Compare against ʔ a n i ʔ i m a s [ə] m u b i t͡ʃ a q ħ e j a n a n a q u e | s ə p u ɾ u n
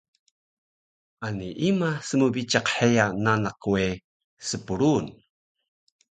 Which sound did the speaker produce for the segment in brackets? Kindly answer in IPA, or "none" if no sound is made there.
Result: ə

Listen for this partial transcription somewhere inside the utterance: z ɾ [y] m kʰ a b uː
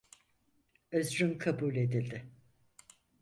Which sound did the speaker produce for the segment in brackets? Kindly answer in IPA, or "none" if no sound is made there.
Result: y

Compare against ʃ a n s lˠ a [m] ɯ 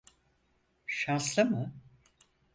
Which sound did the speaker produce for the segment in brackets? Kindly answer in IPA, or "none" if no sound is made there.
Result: m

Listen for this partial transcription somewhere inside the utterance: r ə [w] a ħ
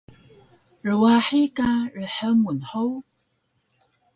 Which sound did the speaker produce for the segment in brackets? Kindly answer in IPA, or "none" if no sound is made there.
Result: w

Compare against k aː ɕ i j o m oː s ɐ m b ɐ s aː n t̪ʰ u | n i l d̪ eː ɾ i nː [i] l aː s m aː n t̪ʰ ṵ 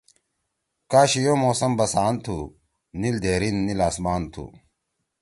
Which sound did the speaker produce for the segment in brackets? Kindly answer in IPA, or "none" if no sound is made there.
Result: i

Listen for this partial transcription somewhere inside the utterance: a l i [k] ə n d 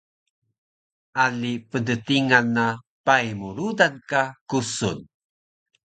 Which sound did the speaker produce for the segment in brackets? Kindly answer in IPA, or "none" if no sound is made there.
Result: p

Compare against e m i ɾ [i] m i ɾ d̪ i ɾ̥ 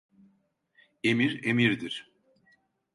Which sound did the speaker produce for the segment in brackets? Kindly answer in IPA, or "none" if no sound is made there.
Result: e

